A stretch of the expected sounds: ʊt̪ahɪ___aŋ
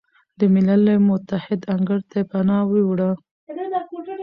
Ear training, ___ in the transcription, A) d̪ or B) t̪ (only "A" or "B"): A